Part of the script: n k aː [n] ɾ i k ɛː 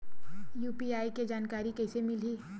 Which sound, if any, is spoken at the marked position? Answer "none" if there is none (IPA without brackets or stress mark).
none